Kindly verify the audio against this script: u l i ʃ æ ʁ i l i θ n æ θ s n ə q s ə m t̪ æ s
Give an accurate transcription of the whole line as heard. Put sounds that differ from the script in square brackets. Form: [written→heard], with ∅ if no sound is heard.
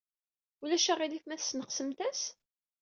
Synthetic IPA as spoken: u l [i→æ] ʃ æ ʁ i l i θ [n→m] æ θ s n ə q s ə m t̪ æ s

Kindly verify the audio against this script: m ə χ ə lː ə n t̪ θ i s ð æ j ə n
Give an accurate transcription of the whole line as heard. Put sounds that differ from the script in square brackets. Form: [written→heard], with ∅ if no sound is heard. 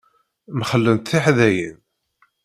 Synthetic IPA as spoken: m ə χ ə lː ə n t̪ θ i [s→ħ] ð æ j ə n

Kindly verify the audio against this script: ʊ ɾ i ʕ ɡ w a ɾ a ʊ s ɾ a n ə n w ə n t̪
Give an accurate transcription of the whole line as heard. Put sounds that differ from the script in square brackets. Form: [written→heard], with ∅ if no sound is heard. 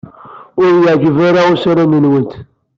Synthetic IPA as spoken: ʊ ɾ [i→j] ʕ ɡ [w→v] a ɾ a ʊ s ɾ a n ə n w ə n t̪

